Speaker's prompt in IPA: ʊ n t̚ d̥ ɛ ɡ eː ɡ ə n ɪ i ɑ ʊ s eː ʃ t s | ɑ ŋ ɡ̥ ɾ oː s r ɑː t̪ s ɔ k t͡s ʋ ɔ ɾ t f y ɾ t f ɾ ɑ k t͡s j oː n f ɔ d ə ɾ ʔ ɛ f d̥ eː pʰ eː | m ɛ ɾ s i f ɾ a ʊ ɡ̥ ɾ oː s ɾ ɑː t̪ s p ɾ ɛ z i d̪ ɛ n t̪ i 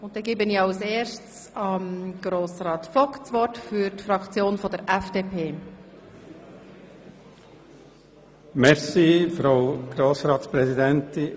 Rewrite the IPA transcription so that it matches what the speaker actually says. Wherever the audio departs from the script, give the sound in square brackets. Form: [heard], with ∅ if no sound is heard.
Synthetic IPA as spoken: ʊ n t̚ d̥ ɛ ɡ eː [b] ə n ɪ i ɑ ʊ s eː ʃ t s | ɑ [m] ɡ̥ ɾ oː s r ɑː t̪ [f] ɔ k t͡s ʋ ɔ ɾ t f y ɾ t f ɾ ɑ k t͡s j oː n f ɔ d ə ɾ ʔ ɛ f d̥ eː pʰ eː | m ɛ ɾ s i f ɾ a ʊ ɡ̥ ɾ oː s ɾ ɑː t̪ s p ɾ ɛ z i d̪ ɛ n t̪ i